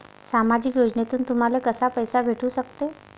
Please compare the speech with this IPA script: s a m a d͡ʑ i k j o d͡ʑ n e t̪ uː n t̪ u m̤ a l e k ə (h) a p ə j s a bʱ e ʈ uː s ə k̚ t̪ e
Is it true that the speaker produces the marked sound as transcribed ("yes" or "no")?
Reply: no